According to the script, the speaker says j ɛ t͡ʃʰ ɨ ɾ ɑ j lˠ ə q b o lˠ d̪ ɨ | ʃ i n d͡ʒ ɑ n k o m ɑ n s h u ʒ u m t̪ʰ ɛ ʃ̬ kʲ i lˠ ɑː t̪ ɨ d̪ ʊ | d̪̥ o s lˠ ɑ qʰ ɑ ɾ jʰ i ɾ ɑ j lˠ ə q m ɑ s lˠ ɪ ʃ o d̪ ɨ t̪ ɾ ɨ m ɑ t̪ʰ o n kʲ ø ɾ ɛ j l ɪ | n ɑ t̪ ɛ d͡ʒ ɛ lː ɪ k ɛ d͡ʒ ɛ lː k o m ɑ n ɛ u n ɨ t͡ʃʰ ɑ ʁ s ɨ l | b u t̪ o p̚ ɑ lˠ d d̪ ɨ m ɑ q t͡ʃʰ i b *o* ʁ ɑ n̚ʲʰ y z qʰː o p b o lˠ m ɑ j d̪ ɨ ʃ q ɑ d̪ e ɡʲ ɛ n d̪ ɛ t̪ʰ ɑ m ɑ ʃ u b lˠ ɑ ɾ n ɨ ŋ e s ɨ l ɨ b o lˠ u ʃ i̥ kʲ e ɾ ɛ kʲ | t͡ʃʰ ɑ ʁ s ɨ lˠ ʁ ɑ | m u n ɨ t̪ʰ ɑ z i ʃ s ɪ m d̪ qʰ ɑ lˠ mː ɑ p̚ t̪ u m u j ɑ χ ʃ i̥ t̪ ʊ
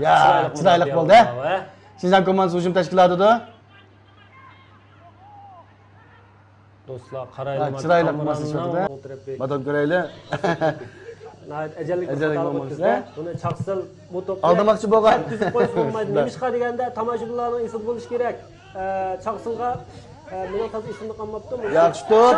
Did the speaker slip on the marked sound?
no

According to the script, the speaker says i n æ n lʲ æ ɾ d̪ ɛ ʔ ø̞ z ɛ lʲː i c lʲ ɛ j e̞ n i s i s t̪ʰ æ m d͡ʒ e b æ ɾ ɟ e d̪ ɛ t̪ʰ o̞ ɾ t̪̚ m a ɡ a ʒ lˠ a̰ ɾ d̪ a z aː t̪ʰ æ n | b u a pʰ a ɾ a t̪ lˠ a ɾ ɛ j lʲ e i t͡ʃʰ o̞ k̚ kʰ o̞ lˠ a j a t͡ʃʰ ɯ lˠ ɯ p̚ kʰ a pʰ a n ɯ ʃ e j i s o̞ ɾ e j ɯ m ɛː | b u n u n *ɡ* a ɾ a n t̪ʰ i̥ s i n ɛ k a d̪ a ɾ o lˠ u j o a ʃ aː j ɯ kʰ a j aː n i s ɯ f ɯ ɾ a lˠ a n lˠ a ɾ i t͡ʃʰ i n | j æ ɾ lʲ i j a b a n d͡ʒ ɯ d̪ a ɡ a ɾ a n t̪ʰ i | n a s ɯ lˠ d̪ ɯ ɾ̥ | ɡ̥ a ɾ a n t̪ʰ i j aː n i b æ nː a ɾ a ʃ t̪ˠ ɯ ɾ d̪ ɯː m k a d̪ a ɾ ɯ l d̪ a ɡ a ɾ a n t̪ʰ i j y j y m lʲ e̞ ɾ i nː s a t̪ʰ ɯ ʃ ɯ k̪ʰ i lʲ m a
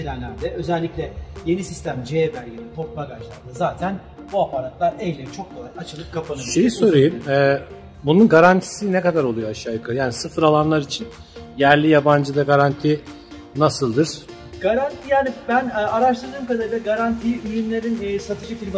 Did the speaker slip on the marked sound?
no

